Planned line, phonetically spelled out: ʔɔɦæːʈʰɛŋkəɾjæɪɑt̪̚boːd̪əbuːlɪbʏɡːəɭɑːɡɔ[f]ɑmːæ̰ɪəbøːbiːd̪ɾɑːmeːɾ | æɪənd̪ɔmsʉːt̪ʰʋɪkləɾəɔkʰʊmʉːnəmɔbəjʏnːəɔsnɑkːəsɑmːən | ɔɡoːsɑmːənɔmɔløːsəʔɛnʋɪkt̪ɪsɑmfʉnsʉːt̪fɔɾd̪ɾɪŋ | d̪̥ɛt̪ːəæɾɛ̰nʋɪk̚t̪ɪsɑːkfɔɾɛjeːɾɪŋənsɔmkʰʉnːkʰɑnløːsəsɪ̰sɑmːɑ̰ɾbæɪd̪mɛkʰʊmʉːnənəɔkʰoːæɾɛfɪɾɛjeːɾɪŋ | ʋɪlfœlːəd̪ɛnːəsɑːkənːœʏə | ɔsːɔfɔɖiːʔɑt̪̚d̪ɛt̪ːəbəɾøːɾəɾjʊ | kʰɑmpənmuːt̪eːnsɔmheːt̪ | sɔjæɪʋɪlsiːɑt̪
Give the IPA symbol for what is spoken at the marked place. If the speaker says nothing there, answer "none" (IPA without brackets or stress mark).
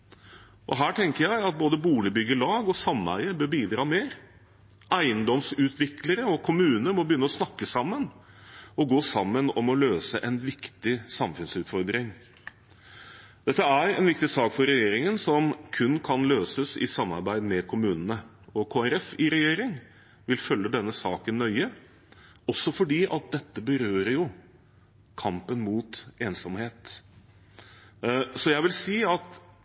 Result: s